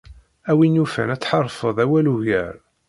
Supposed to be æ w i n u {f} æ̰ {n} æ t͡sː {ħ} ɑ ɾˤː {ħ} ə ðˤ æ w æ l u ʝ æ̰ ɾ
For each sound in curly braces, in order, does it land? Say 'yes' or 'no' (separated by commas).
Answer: yes, yes, yes, no